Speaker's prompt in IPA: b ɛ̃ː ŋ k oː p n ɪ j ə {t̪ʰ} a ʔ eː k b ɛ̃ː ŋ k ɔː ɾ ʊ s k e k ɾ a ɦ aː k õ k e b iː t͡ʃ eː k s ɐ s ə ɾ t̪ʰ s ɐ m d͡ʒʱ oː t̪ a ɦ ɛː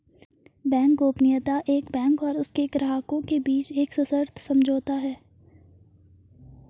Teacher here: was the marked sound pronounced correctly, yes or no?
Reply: no